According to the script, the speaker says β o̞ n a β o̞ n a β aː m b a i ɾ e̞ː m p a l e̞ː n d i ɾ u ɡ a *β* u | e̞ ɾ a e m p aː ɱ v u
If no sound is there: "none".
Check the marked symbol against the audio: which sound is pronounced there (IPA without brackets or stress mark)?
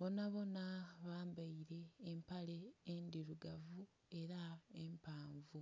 v